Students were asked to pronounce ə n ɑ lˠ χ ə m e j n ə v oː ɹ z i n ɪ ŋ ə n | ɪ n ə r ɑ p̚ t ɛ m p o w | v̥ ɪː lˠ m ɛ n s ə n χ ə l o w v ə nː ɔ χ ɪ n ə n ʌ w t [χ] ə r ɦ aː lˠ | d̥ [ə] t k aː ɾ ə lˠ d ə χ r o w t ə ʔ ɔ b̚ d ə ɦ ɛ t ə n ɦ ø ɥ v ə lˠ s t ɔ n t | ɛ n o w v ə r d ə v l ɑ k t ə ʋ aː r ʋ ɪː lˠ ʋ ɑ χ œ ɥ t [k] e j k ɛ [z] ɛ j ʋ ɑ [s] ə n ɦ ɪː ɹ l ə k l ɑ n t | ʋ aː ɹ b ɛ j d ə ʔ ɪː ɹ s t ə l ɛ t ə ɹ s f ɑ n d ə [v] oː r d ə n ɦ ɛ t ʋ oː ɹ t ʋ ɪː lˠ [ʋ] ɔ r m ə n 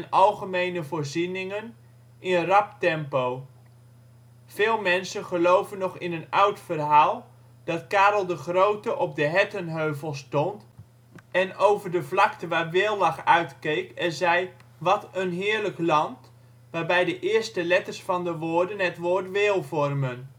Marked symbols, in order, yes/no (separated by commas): no, no, yes, yes, no, no, no